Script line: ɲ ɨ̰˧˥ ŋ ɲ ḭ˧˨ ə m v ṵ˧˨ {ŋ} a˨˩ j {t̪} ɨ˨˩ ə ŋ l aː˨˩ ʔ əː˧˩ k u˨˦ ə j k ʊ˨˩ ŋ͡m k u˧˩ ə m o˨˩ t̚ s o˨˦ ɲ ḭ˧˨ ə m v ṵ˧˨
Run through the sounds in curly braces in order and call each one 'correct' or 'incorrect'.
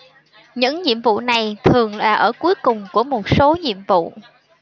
incorrect: n, incorrect: t̪ʰ

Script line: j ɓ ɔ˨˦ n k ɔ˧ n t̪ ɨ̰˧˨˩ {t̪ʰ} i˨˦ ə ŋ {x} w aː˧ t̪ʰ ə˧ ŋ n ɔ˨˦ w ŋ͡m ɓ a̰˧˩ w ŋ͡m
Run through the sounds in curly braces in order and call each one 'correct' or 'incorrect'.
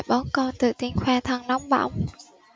incorrect: t̪, correct

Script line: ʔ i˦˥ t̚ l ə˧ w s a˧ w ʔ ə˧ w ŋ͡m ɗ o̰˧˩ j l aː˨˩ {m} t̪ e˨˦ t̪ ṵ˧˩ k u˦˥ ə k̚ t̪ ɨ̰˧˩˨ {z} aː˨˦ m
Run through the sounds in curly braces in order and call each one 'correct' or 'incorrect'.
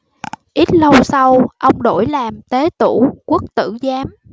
correct, correct

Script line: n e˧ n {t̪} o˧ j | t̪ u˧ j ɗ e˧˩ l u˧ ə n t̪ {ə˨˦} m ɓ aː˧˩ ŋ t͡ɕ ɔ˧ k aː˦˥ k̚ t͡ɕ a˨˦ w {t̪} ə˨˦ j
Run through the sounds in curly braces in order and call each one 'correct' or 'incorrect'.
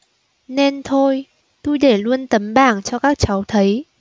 incorrect: t̪ʰ, correct, incorrect: t̪ʰ

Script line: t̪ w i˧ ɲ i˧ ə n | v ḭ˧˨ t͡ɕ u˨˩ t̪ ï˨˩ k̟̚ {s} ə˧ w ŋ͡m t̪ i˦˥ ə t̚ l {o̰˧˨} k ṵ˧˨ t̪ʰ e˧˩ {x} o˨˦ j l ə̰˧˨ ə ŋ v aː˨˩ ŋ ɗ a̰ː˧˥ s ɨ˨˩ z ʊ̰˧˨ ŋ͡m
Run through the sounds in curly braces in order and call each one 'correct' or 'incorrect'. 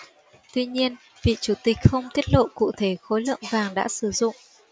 incorrect: x, correct, correct

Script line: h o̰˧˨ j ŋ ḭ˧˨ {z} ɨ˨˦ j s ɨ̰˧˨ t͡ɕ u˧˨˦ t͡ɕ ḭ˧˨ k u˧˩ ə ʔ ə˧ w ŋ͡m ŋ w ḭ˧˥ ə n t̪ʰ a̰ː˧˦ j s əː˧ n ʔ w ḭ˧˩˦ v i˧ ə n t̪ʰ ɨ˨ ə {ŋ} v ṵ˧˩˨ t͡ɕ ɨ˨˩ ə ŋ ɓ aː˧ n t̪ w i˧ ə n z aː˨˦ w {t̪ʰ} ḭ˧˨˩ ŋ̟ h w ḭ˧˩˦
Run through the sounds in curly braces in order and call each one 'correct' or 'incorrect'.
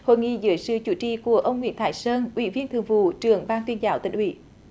correct, correct, incorrect: t̪

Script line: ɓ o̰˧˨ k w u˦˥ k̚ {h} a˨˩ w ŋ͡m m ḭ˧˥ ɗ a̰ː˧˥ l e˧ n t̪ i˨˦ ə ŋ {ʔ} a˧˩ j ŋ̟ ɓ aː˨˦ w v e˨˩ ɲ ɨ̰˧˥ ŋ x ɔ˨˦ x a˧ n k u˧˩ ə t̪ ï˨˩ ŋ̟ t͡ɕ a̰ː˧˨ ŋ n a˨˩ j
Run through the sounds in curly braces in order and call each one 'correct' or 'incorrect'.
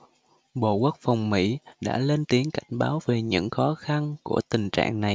incorrect: f, incorrect: k

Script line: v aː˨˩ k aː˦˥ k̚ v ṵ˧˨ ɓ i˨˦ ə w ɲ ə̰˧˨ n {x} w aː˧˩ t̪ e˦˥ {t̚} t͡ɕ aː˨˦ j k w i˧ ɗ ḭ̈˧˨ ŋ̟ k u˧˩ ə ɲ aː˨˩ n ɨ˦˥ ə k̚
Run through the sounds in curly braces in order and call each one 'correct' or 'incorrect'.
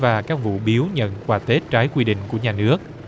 incorrect: k, correct

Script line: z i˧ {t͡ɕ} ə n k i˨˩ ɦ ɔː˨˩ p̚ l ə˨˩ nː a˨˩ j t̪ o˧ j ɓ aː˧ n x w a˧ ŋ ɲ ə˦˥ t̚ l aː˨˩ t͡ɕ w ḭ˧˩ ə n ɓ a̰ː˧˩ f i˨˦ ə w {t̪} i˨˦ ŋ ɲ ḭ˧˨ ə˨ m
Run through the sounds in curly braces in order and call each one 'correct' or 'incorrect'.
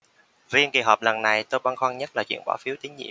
incorrect: none, correct

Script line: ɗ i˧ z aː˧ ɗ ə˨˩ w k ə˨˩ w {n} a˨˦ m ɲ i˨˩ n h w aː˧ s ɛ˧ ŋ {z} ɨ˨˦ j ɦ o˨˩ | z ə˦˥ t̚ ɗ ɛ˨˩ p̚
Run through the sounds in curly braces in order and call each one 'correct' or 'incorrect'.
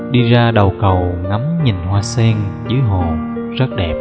incorrect: ŋ, correct

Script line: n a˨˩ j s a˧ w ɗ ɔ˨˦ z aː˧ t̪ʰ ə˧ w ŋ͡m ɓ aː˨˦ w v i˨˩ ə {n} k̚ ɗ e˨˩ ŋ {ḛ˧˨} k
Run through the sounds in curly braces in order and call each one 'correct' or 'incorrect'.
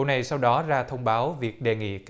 incorrect: none, incorrect: ḭ˧˨

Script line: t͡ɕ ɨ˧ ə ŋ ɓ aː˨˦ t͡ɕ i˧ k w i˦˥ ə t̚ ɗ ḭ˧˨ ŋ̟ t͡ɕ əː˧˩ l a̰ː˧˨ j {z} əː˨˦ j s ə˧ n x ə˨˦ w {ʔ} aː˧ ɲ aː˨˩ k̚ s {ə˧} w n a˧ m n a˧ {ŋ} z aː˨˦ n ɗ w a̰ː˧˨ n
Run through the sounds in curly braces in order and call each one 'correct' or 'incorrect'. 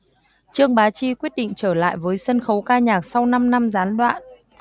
incorrect: v, incorrect: k, incorrect: a˧, incorrect: m

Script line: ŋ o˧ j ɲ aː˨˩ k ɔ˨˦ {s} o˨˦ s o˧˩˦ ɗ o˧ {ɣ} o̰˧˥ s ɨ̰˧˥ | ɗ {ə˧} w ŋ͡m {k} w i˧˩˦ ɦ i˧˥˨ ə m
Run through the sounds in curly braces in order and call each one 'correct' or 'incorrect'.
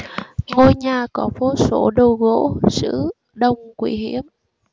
incorrect: f, correct, correct, correct

